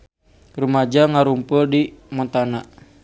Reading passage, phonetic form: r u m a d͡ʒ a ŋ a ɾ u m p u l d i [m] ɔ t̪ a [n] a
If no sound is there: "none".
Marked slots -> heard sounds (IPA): m, n

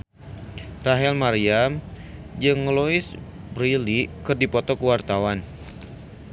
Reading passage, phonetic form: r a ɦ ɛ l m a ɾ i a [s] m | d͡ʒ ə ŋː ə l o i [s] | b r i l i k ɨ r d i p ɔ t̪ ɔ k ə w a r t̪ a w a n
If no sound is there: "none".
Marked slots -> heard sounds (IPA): none, s

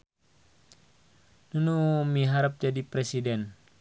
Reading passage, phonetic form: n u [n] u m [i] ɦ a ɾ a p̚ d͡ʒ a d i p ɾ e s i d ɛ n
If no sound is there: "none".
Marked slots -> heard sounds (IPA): n, i

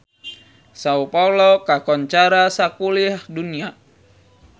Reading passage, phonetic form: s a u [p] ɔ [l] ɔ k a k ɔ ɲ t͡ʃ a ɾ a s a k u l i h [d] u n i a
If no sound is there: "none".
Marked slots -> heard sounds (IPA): p, l, d

